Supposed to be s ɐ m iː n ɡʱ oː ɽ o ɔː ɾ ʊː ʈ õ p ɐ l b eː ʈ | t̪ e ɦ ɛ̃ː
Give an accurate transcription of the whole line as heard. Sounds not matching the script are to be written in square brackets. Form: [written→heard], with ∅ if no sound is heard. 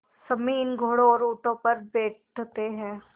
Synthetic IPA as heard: s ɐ m iː n ɡʱ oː ɽ o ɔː ɾ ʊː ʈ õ p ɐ [l→ɾ] b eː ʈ | t̪ e ɦ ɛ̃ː